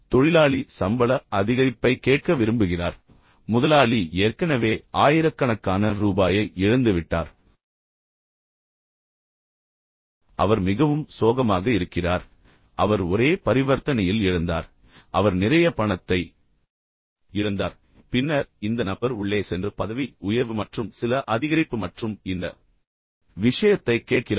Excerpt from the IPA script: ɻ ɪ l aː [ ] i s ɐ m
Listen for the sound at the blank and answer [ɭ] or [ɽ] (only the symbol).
ɭ